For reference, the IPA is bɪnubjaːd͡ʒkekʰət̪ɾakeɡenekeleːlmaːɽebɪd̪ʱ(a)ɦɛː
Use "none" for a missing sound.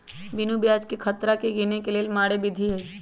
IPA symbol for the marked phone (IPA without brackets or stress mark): i